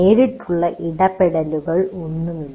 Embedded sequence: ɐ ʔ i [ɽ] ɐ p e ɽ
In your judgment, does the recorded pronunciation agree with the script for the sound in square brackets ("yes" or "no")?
yes